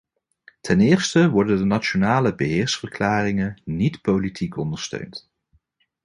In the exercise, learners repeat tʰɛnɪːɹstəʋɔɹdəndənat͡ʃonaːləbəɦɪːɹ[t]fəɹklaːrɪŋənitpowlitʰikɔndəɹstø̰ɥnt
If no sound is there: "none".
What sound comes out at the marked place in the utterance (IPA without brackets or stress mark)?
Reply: s